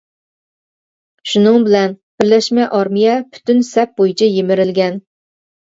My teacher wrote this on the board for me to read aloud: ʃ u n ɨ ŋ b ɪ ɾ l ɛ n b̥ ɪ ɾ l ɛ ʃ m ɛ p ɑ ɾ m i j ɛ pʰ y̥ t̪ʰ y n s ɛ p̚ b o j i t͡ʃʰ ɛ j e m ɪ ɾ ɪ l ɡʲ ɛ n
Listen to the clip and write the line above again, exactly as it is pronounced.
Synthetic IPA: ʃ u n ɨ ŋ b ɪ l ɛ n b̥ ɪ ɾ l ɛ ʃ m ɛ ʔ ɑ ɾ m i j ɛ pʰ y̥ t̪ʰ y n s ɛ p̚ b o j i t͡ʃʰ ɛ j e m ɪ ɾ ɪ l ɡʲ ɛ n